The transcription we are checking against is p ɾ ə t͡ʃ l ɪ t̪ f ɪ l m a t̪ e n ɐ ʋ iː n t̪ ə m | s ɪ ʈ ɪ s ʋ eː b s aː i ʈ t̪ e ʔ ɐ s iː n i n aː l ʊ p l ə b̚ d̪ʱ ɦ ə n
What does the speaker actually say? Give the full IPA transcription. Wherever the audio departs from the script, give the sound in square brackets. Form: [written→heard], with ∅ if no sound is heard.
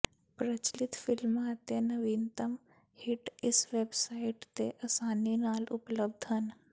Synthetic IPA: p ɾ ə t͡ʃ l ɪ t̪ f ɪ l m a t̪ e n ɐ ʋ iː n t̪ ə m | [s→h] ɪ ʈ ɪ s ʋ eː b s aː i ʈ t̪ e ʔ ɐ s [iː→aː] n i n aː l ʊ p l ə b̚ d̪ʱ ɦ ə n